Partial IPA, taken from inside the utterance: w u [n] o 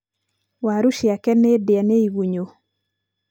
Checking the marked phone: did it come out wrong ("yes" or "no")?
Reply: yes